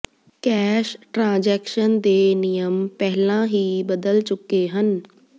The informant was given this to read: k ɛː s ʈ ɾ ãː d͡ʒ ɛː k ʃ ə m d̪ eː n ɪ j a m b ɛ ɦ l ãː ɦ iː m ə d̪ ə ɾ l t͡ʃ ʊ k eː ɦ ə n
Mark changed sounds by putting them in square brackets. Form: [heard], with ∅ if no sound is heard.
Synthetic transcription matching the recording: k ɛː [ʃ] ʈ ɾ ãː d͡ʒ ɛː k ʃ ə [n] d̪ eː n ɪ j [ə] m [p] ɛ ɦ l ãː ɦ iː [b] ə d̪ ə [∅] l t͡ʃ ʊ k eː ɦ ə n